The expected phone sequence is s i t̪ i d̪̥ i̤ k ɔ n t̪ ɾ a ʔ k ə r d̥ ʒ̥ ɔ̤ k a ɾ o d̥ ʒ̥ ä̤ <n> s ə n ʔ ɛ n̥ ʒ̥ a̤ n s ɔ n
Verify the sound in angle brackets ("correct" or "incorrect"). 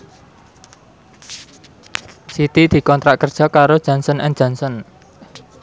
correct